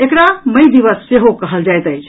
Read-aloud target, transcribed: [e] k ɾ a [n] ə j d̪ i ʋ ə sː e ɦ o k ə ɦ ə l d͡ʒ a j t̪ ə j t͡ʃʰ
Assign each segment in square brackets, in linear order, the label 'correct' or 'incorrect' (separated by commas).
correct, incorrect